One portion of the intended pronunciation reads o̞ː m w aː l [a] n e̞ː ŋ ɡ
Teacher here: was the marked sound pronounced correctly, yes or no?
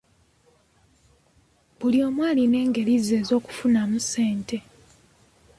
no